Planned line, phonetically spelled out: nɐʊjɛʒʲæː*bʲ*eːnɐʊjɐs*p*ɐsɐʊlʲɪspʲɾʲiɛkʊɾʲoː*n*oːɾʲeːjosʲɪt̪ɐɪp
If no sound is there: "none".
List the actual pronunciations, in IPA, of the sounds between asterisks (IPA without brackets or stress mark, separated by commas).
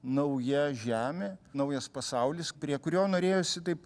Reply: mʲ, p, n